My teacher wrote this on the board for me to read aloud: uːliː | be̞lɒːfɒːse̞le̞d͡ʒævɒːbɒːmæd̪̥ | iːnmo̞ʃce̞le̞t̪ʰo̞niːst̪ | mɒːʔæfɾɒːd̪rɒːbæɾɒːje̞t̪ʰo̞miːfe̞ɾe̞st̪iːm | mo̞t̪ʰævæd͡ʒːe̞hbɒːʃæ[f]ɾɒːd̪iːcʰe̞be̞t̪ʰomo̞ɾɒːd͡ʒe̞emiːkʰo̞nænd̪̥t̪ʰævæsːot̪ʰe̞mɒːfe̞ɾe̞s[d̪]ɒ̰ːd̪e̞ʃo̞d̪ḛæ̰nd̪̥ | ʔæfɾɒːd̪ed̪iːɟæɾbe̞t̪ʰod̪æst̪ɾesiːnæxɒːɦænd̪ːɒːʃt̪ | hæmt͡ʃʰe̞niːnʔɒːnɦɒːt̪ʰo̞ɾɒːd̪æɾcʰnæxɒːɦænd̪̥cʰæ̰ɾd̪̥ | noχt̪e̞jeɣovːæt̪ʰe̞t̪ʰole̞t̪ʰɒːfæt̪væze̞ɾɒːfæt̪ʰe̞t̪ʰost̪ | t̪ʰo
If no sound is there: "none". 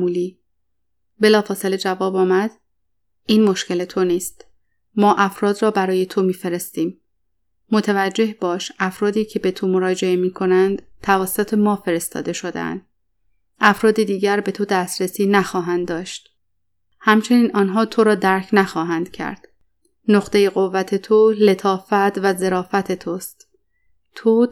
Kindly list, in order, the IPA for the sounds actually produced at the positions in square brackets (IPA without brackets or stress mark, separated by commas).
f, t̪